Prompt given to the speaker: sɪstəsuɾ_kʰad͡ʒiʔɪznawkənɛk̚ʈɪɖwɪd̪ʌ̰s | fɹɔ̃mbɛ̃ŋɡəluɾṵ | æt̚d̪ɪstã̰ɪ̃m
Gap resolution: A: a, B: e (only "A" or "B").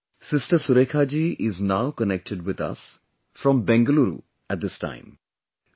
B